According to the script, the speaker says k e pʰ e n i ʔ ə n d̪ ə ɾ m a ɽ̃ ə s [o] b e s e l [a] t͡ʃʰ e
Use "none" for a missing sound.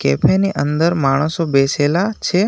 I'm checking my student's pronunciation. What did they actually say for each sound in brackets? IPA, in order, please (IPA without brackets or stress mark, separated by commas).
o, a